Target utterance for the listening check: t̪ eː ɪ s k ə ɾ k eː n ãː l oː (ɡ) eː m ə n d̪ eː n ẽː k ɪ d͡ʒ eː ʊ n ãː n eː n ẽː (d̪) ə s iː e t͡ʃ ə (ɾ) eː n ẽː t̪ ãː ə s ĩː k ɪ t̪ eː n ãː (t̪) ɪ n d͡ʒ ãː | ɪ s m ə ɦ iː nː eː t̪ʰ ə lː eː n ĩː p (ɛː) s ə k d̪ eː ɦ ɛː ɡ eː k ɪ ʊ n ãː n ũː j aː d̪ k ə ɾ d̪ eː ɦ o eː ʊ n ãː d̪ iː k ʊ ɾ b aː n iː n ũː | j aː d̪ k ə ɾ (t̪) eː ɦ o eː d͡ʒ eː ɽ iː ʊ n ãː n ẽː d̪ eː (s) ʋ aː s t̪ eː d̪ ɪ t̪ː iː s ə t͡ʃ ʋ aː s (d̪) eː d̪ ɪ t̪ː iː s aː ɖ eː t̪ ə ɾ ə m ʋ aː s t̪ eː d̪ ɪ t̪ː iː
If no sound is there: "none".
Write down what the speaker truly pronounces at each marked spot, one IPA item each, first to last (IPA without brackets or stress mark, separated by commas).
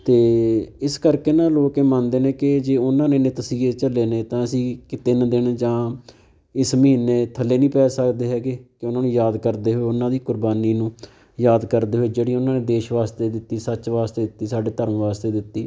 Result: k, t̪, l, d̪, ɛː, d̪, ʃ, t̪